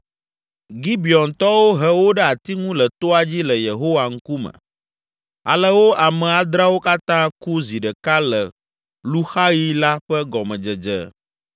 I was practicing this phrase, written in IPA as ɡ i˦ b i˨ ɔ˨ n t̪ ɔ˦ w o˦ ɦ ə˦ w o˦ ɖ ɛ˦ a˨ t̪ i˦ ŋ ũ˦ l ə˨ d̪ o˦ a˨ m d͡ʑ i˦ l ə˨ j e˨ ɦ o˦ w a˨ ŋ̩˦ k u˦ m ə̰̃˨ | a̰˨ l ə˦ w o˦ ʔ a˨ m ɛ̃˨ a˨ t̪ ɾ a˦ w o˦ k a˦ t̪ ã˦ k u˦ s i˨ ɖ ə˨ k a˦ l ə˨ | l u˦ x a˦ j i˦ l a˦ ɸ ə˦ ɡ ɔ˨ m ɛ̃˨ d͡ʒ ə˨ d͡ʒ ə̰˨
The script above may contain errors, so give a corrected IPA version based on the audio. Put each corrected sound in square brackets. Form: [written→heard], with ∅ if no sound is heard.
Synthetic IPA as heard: ɡ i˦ b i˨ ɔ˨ n t̪ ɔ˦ w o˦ ɦ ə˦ w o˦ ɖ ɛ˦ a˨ t̪ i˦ ŋ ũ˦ l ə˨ [d̪→t̪] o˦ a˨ [m→∅] d͡ʑ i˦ l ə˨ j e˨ ɦ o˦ w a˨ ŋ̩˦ k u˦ m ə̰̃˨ | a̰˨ l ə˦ w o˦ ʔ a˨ m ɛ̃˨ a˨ [t̪→d̪] ɾ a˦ w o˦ k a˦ t̪ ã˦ k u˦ [s→z] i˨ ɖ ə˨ k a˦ l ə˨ | l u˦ x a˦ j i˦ l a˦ ɸ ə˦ ɡ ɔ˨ m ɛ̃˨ d͡ʒ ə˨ d͡ʒ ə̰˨

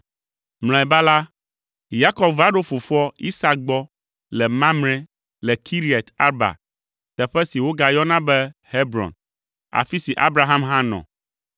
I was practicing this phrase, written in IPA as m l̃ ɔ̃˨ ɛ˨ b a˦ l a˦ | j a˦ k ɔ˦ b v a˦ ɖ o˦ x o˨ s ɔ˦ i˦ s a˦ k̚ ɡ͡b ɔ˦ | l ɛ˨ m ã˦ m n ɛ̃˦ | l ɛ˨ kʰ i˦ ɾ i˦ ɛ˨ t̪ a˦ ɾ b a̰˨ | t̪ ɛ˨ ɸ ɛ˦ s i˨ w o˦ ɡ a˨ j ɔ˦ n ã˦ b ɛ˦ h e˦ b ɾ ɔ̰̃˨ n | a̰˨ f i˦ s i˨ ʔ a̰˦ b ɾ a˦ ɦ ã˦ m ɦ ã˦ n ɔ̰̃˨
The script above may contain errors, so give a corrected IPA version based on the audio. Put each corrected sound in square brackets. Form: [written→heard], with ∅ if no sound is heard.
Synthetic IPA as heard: m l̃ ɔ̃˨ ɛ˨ b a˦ l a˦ | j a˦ k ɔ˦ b v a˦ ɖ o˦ [x→f] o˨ [s→f] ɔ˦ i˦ s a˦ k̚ ɡ͡b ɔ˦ | l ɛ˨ m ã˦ m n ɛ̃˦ | l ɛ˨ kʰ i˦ ɾ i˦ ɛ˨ t̪ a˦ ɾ b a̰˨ | t̪ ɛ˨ ɸ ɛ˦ s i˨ w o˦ ɡ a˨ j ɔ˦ n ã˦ b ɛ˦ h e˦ b ɾ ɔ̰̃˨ n | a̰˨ f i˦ s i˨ ʔ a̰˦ b ɾ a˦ ɦ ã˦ m ɦ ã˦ n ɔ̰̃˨

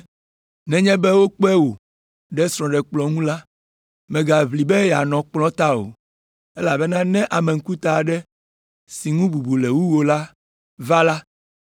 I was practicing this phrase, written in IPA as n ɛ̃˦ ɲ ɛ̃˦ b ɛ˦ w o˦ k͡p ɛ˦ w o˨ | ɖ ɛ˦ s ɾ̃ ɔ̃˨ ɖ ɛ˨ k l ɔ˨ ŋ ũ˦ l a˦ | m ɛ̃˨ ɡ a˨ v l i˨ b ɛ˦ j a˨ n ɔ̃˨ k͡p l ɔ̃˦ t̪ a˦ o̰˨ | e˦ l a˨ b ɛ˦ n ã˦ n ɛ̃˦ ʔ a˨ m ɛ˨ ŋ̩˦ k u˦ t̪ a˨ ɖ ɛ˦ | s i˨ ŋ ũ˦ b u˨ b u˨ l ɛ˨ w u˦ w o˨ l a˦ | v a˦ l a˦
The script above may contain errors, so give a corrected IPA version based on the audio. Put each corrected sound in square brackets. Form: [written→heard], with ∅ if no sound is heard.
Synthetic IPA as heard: n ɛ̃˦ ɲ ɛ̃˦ b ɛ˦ w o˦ k͡p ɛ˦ w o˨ | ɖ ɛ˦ s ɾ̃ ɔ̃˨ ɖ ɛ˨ [k→k͡p] l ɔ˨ ŋ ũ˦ l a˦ | m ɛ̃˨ ɡ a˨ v l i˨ b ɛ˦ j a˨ n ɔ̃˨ k͡p l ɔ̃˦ t̪ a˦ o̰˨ | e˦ l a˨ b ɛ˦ n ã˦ n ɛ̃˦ ʔ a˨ m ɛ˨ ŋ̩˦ k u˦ t̪ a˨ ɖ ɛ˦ | s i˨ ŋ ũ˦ b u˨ b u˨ l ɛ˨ w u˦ w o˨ l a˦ | v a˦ l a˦

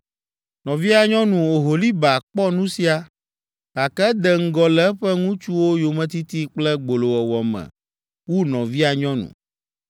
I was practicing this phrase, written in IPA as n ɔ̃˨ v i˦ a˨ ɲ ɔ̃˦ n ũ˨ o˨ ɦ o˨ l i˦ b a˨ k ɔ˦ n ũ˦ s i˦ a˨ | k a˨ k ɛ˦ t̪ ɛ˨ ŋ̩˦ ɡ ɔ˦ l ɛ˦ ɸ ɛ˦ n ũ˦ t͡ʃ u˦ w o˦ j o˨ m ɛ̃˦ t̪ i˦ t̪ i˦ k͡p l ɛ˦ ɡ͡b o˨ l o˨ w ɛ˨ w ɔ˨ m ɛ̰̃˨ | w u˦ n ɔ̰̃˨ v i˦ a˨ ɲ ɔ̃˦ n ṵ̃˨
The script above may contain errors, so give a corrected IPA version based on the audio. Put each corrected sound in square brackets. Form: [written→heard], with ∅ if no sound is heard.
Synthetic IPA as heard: n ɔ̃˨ v i˦ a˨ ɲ ɔ̃˦ n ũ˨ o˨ ɦ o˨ l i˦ b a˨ [k→k͡p] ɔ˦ n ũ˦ s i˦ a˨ | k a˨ k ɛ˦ [t̪→d̪] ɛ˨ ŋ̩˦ ɡ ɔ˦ l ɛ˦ ɸ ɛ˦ [n→ŋ] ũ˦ t͡ʃ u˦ w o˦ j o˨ m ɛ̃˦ t̪ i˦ t̪ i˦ k͡p l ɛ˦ ɡ͡b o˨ l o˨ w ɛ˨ w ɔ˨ m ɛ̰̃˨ | w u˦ n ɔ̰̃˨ v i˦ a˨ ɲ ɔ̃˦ n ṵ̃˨

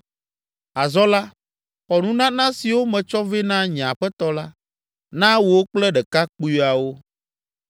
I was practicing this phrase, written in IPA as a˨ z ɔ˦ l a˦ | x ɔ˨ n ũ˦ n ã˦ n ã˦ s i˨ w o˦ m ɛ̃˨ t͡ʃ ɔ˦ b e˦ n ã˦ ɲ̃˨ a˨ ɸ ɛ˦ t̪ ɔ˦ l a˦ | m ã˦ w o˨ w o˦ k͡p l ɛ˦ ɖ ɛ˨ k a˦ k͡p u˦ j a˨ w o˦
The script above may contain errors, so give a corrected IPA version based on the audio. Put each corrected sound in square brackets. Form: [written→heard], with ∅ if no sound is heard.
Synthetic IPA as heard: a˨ z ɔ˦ l a˦ | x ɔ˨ n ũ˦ n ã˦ n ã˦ s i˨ w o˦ m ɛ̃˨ t͡ʃ ɔ˦ [b→v] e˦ n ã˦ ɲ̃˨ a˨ ɸ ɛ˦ t̪ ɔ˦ l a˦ | [m→n] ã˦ w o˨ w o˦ k͡p l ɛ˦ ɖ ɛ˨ k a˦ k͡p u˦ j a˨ w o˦

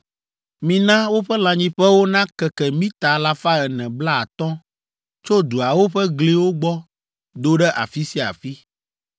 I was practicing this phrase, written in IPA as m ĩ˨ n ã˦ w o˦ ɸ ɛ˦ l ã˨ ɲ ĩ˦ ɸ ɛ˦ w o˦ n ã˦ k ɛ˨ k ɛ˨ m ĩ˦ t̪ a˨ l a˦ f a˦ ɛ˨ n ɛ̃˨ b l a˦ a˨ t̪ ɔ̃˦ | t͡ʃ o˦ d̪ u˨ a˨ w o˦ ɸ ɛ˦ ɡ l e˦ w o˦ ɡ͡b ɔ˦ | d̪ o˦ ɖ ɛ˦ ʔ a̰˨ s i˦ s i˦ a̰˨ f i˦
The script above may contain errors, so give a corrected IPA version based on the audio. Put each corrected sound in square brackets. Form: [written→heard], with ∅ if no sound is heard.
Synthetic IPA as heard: m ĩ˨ n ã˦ w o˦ ɸ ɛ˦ l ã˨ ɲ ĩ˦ ɸ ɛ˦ w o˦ n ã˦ k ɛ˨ k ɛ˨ m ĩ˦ t̪ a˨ l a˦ f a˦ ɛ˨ n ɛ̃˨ b l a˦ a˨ t̪ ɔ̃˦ | t͡ʃ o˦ d̪ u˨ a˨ w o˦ ɸ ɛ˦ ɡ l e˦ w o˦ ɡ͡b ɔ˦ | d̪ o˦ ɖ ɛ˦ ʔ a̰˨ [s→f] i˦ s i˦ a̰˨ f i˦

